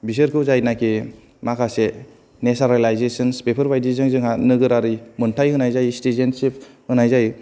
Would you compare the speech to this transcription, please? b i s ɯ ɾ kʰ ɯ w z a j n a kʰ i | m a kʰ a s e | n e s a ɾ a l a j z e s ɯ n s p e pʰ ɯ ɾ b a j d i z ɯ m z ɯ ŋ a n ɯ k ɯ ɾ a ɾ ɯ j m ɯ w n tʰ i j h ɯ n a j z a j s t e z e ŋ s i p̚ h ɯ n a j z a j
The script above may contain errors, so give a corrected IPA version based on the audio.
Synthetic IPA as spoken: b i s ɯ ɾ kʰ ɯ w z a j n a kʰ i | m a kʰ a s e | n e s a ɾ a l a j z e s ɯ n s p e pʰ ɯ ɾ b a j d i z ɯ ŋ z ɯ ŋ a n ɯ ɡ ɯ ɾ a ɾ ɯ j m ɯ n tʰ a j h ɯ n a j z a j s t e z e n s i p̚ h ɯ n a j z a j